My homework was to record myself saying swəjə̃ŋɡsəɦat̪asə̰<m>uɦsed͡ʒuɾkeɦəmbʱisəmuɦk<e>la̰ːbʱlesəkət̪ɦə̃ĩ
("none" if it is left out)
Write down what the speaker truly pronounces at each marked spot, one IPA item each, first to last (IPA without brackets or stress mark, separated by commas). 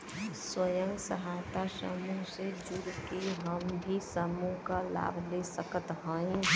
m, a